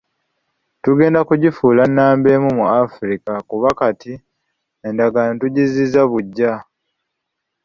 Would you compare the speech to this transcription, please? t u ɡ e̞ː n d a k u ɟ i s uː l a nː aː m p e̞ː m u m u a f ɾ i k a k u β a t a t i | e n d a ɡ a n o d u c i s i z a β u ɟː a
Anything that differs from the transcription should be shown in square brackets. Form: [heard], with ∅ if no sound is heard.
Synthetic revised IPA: t u ɡ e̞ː n d a k u ɟ i [f] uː l a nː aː m [b] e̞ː m u m u a f ɾ i k a k u β a [k] a t i | e n d a ɡ a n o [t] u [ɟ] i [z] i z a β u ɟː a